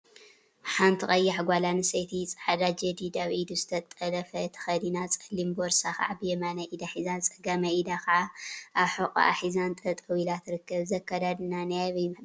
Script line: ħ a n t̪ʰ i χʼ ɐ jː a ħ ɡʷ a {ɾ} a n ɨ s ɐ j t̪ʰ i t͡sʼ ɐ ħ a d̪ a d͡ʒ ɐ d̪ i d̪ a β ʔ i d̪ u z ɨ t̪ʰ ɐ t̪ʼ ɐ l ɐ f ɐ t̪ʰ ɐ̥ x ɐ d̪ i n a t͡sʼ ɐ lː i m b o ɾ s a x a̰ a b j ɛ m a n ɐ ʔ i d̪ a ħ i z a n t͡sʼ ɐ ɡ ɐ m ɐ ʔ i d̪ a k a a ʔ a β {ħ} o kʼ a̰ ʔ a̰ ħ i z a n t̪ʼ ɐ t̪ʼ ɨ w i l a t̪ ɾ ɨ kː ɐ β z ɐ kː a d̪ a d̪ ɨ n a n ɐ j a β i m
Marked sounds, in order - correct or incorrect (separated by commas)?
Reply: incorrect, correct